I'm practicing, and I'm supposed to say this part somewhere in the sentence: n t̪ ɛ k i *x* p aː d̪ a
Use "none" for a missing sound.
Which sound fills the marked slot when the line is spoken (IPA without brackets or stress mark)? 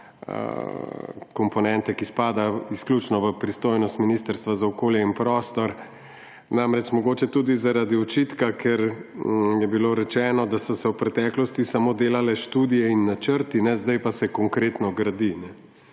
s